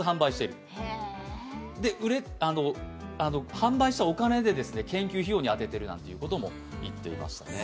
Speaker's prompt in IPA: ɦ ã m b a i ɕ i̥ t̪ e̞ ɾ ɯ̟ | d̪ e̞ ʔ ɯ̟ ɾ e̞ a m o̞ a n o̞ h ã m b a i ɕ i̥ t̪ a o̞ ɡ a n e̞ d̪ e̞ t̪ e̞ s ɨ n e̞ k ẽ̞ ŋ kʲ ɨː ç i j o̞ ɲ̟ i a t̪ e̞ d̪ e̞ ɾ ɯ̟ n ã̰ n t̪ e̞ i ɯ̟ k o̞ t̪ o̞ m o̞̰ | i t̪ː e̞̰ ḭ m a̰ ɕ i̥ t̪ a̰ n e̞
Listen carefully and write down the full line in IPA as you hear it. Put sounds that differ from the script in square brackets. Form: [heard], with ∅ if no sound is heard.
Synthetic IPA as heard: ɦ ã m b a i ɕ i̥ t̪ e̞ ɾ ɯ̟ | d̪ e̞ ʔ ɯ̟ ɾ e̞ a [n] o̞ a n o̞ h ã m b a i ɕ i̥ t̪ a o̞ [k] a n e̞ d̪ e̞ [d̪] e̞ s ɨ n e̞ k ẽ̞ ŋ kʲ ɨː ç i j o̞ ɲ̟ i a t̪ e̞ [t̪] e̞ ɾ ɯ̟ n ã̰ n t̪ e̞ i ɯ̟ k o̞ t̪ o̞ m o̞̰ | i t̪ː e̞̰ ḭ m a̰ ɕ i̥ t̪ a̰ n e̞